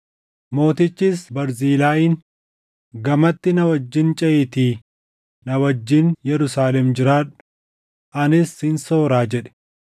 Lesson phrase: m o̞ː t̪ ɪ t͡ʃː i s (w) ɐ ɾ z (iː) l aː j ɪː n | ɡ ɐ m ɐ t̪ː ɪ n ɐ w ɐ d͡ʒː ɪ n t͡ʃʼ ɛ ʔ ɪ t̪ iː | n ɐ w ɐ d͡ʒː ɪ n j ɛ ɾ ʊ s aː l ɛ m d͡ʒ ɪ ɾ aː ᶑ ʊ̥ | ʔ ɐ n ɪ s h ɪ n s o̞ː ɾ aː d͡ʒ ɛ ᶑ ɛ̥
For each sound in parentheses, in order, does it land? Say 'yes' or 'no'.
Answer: no, yes

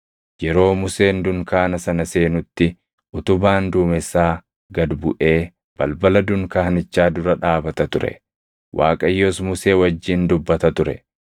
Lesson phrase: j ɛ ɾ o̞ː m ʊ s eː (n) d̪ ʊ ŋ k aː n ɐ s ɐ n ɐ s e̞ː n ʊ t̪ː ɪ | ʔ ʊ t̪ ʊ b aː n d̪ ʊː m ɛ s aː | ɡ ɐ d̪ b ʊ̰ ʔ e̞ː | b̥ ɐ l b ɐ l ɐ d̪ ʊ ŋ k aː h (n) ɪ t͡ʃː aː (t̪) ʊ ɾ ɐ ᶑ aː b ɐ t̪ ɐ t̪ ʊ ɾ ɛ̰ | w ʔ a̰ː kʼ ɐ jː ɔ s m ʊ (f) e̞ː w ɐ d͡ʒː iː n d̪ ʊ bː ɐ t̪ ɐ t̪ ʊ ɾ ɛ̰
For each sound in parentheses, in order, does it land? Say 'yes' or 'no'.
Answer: yes, yes, no, no

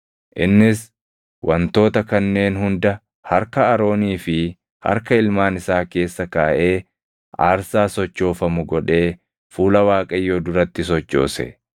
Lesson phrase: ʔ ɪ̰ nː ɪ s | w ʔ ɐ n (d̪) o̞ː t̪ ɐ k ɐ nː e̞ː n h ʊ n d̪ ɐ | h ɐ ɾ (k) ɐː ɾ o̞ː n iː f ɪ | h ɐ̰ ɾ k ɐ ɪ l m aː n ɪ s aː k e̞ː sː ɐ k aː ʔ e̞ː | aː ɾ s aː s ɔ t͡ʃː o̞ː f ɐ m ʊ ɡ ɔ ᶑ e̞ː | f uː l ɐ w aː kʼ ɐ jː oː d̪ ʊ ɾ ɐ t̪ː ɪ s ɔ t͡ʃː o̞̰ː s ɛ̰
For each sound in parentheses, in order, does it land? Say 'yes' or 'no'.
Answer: no, yes

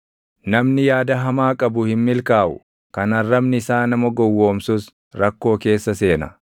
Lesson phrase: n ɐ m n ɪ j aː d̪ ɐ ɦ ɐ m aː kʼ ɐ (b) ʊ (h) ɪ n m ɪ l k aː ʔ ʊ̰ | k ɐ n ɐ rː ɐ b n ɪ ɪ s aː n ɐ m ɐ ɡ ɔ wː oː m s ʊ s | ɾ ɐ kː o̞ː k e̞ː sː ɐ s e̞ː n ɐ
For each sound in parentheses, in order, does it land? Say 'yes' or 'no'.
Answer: yes, yes

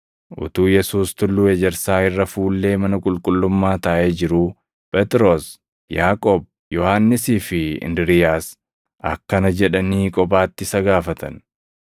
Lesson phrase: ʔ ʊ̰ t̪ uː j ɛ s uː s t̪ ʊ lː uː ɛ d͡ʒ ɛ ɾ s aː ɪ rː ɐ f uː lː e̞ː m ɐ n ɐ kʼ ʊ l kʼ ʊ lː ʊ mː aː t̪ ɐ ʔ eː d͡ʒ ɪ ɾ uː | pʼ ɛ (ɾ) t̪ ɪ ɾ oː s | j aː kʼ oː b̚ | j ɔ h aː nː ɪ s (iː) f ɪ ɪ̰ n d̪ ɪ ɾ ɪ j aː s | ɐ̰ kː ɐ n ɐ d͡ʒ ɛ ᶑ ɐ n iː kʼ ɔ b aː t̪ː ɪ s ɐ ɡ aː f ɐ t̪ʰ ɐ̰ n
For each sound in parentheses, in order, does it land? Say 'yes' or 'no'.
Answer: no, yes

